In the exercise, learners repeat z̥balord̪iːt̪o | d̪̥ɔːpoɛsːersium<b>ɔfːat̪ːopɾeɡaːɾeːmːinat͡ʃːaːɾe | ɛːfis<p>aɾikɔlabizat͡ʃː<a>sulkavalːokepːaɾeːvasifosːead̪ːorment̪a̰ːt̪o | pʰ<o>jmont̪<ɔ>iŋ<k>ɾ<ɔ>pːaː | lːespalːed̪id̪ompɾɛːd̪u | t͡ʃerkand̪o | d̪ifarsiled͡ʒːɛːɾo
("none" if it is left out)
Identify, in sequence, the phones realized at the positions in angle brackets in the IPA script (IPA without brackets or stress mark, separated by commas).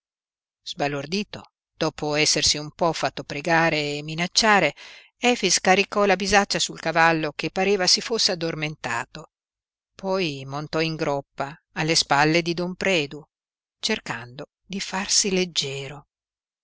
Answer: p, k, a, ɔ, ɔ, ɡ, ɔ